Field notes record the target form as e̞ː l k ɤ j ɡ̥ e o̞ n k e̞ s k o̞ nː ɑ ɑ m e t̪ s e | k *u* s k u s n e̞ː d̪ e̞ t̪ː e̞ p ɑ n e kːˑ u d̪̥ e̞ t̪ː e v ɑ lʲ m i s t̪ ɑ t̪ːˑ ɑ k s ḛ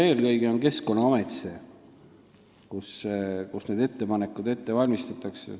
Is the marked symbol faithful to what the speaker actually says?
yes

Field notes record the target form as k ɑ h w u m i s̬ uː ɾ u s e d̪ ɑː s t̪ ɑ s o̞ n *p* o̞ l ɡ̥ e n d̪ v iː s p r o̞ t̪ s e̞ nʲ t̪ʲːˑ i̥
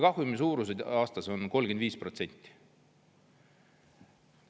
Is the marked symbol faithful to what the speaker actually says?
no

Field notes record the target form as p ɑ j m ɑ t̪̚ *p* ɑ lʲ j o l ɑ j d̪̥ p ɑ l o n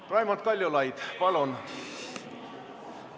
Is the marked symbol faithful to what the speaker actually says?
no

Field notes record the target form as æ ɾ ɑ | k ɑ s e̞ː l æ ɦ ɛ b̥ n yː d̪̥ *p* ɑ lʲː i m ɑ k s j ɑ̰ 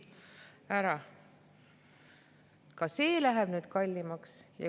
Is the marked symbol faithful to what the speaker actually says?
no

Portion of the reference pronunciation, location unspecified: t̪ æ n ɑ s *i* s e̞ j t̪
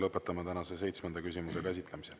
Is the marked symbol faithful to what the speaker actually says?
no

